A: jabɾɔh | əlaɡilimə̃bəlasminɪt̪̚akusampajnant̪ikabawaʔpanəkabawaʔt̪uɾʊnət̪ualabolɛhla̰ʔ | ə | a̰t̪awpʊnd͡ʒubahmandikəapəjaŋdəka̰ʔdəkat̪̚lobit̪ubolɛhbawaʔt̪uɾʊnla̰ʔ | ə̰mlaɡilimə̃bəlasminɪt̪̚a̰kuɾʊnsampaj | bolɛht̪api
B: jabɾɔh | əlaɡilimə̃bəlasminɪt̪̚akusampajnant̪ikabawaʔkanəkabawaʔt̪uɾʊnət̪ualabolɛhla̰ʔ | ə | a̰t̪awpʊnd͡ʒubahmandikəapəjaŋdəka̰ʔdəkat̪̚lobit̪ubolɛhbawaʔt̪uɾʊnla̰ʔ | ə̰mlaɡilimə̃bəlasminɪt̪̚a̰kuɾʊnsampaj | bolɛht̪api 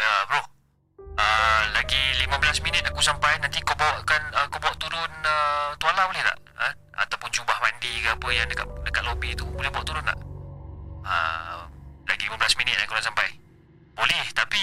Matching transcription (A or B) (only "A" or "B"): B